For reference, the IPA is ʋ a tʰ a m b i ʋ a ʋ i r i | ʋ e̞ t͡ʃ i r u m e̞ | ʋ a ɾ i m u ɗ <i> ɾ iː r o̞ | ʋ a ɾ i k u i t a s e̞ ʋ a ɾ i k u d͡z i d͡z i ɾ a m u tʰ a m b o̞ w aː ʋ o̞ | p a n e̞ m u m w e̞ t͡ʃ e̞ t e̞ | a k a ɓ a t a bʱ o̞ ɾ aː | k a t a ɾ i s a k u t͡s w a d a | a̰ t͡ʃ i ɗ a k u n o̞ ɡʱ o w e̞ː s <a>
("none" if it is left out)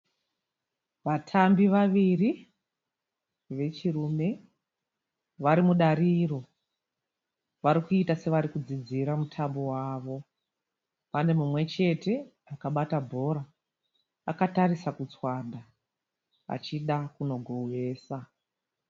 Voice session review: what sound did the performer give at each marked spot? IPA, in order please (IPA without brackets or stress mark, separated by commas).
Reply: a, a